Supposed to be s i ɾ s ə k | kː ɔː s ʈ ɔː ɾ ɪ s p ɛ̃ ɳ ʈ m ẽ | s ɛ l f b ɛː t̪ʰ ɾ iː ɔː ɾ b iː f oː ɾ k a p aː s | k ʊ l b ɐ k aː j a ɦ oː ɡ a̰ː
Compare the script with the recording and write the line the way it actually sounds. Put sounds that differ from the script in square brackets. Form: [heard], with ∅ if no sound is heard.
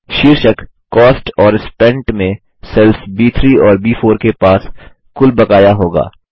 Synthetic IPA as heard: [ʃ] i ɾ [ʃ] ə k | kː ɔː s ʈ ɔː ɾ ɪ s p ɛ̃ ɳ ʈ m ẽ | s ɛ l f b [iː] t̪ʰ ɾ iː ɔː ɾ b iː f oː ɾ k [e] p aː s | k ʊ l b ɐ k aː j a ɦ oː ɡ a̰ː